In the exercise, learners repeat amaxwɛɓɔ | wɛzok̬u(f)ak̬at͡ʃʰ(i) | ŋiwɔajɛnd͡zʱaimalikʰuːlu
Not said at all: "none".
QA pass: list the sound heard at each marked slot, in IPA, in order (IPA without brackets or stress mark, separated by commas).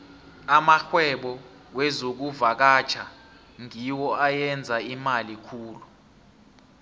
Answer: v, a